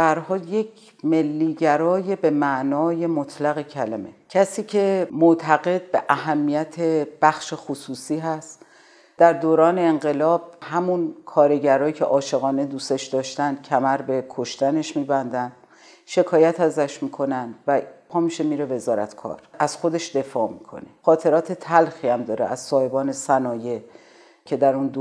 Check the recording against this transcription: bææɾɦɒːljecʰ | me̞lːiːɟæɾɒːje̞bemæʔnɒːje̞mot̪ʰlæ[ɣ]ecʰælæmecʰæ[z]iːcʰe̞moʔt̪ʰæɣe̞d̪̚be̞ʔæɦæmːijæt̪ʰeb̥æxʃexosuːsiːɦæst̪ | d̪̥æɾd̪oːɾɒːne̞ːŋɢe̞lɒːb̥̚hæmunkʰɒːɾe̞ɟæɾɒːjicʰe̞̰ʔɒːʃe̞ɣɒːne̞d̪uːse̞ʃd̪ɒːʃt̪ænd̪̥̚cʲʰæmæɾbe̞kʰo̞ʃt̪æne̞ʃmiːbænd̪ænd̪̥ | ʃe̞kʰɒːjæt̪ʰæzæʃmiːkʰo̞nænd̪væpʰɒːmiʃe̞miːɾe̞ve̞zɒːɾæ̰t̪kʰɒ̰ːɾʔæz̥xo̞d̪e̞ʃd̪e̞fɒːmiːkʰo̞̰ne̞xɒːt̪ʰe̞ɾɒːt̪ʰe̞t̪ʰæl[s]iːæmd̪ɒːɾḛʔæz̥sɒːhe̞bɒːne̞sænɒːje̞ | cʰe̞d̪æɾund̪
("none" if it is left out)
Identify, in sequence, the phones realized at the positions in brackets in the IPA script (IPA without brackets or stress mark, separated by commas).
ɣ, s, x